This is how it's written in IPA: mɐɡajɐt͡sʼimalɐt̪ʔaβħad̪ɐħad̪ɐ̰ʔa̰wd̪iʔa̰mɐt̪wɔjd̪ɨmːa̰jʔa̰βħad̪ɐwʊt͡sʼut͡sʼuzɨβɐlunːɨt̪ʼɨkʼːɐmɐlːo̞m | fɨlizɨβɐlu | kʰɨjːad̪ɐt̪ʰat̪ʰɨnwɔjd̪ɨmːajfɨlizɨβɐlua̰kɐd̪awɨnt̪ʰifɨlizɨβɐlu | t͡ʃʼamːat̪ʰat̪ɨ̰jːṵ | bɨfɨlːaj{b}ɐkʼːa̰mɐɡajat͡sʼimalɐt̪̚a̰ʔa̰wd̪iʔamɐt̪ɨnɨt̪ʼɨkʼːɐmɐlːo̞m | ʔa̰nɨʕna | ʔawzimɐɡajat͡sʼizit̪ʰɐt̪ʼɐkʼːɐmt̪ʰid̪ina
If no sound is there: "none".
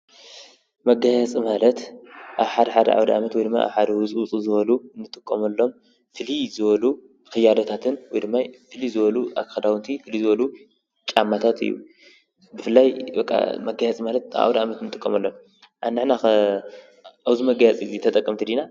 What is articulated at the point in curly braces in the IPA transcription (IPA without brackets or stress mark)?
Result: b